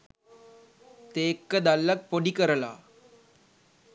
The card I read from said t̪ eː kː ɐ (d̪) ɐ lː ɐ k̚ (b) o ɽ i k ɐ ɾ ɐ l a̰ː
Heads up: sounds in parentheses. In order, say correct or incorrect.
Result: correct, incorrect: p

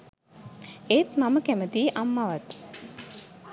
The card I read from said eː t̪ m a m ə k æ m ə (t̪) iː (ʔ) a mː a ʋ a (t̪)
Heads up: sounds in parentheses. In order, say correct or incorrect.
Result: correct, correct, correct

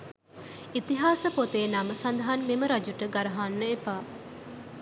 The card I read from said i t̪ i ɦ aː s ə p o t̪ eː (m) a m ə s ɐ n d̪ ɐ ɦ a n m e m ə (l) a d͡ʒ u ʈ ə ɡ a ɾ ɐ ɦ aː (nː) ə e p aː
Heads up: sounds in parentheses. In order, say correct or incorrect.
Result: incorrect: n, incorrect: ɾ, correct

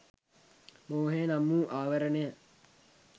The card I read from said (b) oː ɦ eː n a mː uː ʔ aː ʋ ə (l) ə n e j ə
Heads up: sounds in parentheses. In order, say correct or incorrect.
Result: incorrect: m, incorrect: ɾ

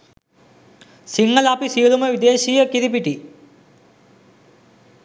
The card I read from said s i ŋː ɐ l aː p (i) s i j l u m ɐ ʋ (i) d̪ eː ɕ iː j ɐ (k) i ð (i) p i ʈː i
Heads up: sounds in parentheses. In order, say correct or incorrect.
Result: correct, correct, correct, correct

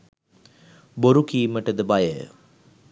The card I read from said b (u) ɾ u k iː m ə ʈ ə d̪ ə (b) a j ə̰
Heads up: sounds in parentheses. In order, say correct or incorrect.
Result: incorrect: o, correct

